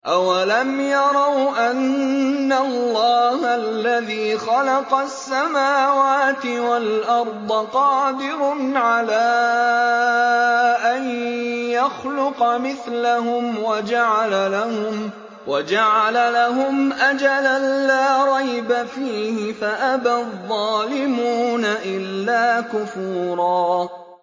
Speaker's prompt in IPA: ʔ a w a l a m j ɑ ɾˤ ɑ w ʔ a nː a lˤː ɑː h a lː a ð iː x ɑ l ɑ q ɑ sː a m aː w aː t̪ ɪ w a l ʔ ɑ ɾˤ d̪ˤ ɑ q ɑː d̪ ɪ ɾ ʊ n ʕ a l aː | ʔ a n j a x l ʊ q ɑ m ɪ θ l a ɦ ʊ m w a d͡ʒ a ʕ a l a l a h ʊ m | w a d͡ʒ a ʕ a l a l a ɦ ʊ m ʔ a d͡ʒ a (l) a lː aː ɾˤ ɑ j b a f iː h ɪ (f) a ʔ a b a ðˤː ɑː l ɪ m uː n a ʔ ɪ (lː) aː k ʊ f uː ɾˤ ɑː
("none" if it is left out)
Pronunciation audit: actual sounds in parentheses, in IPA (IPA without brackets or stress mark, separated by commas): l, f, lː